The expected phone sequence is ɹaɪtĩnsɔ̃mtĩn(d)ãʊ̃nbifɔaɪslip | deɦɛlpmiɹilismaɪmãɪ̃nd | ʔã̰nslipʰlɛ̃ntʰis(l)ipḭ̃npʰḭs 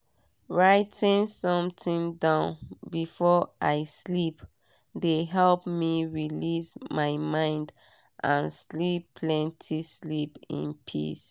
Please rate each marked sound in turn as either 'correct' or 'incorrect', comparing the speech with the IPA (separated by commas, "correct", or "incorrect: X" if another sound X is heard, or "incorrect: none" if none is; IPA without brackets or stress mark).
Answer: correct, correct